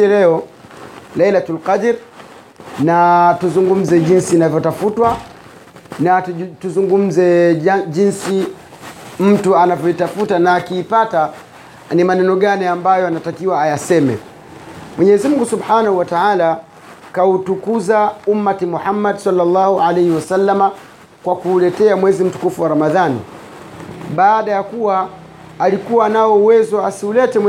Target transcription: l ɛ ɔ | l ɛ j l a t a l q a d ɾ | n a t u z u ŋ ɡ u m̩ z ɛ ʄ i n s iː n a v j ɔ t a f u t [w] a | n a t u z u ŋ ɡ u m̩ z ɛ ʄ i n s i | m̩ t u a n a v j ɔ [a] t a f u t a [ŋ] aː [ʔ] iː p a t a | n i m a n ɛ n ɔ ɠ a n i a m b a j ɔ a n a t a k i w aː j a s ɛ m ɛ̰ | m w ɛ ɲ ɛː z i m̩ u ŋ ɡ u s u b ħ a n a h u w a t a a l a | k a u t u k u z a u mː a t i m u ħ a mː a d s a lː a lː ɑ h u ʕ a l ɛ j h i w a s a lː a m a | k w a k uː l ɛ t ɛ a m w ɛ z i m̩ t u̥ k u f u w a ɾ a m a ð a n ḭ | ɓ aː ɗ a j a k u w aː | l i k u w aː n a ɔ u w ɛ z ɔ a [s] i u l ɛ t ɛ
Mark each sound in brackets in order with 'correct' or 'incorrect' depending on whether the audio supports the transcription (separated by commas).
correct, incorrect, incorrect, incorrect, correct